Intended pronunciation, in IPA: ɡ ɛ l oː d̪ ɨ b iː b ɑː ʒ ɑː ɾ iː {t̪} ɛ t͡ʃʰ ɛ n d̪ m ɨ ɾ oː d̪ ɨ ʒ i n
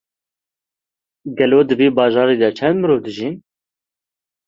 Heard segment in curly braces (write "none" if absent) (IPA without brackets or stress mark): d̪